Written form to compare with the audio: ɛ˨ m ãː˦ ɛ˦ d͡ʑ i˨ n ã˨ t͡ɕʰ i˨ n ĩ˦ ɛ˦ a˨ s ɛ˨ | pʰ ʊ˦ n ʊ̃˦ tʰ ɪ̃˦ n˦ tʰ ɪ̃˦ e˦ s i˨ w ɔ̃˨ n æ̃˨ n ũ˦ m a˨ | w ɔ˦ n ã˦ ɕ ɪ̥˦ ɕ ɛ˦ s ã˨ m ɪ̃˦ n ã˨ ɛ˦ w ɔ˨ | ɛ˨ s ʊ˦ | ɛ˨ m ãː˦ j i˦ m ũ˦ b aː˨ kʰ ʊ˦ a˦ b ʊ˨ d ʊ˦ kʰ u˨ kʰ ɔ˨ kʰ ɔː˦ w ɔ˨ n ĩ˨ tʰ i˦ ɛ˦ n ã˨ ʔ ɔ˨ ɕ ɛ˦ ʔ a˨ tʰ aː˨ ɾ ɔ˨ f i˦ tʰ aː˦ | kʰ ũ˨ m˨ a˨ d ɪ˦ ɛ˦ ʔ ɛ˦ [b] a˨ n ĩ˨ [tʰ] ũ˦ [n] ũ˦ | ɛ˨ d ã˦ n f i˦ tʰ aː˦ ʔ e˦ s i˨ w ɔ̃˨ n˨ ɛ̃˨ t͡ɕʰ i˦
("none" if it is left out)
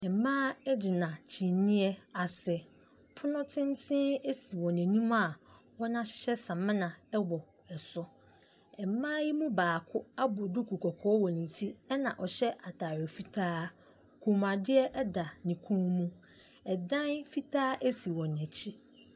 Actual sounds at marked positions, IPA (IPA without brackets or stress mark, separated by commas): d, kʰ, m